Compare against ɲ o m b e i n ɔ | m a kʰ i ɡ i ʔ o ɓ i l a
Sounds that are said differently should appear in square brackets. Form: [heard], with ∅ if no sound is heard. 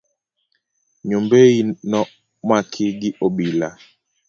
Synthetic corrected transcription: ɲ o m b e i n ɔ | m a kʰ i ɡ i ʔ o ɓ i l a